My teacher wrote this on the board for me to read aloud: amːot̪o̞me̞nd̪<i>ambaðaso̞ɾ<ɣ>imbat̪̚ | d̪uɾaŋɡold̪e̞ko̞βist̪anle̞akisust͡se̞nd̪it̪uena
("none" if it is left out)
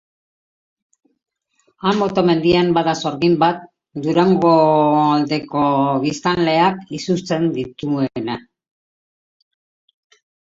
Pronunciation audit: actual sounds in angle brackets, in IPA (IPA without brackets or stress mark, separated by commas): i, ɣ